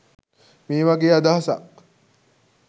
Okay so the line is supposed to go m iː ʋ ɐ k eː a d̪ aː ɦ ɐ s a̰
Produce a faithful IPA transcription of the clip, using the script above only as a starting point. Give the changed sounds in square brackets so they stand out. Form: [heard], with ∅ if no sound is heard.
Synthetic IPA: m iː ʋ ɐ [ɡ] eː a d̪ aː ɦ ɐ s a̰